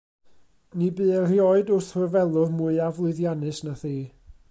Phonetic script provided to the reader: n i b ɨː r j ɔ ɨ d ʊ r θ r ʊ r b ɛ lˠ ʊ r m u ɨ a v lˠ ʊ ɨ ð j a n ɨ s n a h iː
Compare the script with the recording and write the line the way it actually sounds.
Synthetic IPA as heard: n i b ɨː r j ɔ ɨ d ʊ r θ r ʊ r v ɛ lˠ ʊ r m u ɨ a v lˠ ʊ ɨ ð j a n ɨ s n a θ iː